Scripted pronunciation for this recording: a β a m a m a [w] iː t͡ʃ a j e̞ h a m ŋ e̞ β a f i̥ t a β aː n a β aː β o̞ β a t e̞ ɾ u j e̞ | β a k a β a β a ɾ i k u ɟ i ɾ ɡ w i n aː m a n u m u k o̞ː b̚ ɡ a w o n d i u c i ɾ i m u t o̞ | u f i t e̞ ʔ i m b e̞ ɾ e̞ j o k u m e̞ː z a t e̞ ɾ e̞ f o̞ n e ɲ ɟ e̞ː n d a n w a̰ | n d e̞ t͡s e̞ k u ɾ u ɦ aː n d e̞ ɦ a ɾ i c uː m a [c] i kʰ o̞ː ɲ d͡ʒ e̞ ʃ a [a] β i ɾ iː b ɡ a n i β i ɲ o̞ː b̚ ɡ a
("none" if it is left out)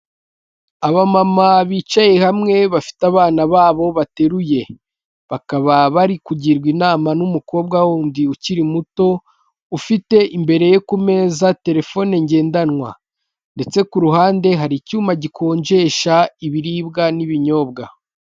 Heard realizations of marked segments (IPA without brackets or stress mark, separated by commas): β, ɟ, i